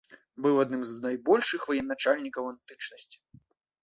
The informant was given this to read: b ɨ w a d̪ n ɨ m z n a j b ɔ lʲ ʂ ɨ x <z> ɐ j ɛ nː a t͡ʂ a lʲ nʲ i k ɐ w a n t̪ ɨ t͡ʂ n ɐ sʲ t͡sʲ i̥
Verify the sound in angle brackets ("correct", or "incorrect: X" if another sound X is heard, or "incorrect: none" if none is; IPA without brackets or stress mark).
incorrect: v